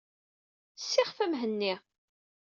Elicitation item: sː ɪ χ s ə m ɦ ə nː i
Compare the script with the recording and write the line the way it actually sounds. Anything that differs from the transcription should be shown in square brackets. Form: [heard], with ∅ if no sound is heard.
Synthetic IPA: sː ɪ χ [f] ə m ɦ ə nː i